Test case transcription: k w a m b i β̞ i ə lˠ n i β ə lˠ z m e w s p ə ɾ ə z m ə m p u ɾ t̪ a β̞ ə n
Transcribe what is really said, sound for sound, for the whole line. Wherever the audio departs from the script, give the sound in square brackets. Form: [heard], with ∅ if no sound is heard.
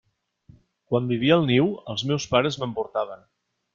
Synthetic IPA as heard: k w a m b i β̞ i ə lˠ n i [w] ə lˠ z m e w s p [a] ɾ ə z m ə m p u ɾ t̪ a β̞ ə n